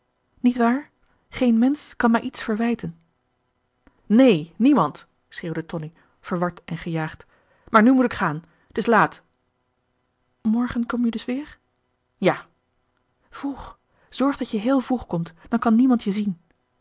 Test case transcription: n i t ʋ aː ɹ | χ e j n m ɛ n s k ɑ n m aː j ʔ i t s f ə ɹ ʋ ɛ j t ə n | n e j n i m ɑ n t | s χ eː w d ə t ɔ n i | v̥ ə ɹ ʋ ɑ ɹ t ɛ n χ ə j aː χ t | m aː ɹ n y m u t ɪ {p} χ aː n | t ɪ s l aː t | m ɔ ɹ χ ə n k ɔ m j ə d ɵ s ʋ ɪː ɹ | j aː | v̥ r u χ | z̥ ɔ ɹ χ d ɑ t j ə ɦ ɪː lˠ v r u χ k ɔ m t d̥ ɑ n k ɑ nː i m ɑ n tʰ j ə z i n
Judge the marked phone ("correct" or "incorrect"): incorrect